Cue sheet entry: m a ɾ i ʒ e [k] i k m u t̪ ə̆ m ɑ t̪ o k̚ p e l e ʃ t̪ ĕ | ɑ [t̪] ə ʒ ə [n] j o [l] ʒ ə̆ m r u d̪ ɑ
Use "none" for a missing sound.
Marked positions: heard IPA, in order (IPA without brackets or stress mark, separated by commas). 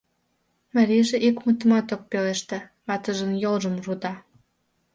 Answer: ʔ, t̪, n, l